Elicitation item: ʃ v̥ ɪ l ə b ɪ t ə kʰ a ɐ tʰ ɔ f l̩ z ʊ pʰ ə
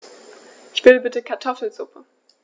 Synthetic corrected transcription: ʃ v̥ ɪ l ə b ɪ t ə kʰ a ɐ tʰ ɔ f l̩ z ʊ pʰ ə